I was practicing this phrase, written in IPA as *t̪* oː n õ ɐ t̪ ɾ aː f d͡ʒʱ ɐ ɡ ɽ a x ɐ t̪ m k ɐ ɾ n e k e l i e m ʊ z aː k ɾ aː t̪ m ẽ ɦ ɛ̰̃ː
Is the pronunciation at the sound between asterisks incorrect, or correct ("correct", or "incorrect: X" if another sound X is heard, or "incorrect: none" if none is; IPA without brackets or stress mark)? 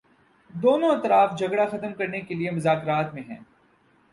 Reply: incorrect: d̪